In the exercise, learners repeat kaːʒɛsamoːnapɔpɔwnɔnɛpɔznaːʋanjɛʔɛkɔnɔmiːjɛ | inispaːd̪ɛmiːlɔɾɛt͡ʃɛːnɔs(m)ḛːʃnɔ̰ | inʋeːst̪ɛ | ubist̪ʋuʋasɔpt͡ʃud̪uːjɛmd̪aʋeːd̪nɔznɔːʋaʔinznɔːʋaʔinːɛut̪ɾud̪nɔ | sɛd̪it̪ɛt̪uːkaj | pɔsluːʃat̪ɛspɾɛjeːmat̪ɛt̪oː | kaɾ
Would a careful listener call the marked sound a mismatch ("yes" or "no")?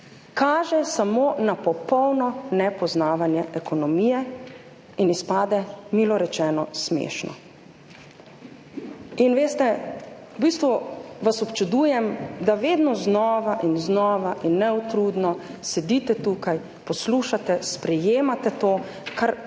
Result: no